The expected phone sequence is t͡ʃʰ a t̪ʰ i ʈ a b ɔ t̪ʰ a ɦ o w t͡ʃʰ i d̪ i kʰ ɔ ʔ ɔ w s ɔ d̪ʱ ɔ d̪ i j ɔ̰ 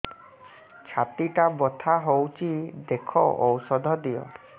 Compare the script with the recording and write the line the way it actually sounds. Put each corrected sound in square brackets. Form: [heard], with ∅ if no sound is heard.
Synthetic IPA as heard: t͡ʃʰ a [t̪] i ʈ a b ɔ t̪ʰ a ɦ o w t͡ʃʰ i d̪ [e] kʰ ɔ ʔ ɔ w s ɔ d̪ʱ ɔ d̪ i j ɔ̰